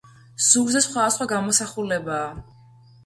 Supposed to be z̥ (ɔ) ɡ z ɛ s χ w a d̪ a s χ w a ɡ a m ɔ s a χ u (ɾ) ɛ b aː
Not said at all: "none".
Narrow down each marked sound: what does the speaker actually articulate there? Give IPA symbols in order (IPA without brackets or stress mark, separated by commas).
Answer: u, l